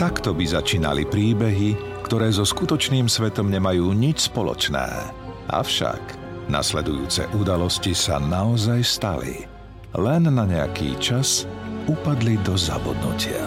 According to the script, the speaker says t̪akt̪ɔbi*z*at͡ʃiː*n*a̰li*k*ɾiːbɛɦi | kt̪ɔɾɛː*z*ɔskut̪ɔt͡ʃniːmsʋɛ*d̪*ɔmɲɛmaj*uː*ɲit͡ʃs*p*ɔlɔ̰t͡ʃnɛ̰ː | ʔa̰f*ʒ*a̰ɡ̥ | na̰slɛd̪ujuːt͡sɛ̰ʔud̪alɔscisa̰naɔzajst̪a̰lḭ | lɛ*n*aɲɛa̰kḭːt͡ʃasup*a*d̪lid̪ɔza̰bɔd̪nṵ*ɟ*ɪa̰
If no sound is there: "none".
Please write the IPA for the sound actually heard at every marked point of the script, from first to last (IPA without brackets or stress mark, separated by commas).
z, n, p, z, t̪, uː, p, ʃ, nː, a, c